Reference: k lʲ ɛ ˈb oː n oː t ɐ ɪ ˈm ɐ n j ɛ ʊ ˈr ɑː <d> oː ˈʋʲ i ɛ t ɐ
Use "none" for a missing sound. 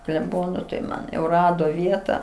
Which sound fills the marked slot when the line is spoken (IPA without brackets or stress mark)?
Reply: d